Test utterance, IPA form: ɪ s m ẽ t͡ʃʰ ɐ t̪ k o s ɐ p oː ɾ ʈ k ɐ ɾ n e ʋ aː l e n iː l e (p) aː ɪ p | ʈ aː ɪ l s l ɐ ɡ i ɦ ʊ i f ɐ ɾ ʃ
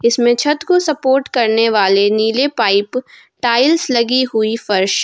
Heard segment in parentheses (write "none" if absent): p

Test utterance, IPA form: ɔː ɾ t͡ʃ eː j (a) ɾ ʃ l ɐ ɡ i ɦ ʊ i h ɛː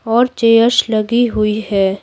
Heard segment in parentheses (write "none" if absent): ə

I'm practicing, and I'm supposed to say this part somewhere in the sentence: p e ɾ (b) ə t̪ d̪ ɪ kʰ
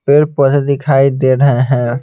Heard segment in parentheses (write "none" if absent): p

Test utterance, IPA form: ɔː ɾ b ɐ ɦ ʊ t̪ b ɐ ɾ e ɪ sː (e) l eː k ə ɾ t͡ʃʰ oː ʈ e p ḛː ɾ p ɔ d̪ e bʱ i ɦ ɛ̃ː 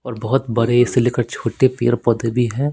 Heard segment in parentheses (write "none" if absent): e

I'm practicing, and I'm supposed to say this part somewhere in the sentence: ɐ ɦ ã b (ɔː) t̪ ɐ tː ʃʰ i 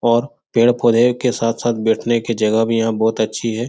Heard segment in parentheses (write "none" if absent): ɔː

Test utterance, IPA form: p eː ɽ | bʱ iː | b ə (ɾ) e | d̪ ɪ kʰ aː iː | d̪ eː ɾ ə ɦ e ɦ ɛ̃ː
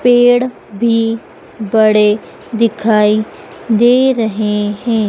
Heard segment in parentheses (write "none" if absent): ɽ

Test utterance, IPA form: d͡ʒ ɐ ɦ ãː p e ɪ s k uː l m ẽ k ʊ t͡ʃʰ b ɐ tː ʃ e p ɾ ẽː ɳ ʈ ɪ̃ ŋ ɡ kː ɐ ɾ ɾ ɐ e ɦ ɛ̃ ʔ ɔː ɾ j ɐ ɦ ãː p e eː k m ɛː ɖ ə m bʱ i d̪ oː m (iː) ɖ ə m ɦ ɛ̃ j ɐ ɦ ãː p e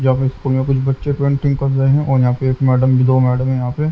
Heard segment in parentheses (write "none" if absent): ɛː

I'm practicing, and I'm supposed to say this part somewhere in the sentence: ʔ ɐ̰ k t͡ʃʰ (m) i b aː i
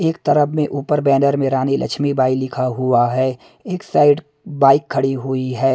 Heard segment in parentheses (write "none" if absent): m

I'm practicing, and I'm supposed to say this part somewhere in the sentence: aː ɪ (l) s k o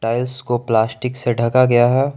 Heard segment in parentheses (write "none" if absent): l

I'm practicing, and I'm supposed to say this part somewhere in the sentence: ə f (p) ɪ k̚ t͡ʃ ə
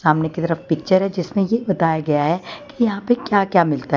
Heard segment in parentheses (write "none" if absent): p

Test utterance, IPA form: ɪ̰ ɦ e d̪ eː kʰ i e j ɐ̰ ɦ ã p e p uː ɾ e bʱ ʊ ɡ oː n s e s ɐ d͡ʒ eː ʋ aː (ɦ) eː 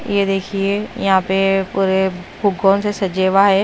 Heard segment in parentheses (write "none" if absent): ɦ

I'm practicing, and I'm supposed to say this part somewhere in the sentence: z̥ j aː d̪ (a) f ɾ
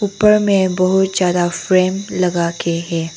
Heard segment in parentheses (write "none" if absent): a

